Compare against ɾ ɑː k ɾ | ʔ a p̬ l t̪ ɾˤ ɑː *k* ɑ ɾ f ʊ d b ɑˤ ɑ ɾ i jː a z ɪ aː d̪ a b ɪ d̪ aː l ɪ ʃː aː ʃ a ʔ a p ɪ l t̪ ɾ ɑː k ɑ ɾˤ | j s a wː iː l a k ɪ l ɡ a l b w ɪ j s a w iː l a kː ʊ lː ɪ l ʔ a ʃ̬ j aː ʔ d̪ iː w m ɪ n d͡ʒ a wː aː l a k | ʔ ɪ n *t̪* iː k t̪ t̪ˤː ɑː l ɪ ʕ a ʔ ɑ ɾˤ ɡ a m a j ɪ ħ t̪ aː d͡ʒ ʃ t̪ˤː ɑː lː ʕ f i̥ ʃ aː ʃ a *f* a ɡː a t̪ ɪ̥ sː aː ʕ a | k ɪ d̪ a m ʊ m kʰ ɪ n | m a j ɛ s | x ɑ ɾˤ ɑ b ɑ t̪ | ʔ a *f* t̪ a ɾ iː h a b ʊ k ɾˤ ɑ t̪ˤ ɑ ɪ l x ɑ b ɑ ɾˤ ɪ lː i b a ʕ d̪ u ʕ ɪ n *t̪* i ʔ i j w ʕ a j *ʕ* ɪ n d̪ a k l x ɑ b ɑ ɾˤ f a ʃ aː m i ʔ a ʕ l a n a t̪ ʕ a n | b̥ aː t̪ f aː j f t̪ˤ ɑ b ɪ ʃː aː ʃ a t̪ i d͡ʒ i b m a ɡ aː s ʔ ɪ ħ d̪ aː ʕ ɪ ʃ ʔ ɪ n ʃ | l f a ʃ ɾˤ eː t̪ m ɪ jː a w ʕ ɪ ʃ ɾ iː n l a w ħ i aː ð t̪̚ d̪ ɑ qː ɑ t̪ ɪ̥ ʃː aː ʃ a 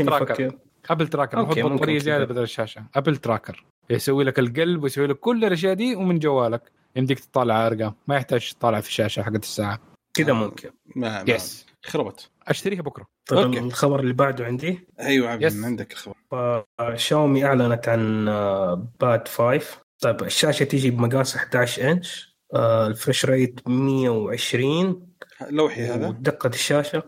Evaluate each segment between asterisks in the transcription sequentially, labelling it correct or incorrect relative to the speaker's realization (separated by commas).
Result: correct, incorrect, incorrect, incorrect, incorrect, correct